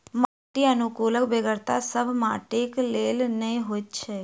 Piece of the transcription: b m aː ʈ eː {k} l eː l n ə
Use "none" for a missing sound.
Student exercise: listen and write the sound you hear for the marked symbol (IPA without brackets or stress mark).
k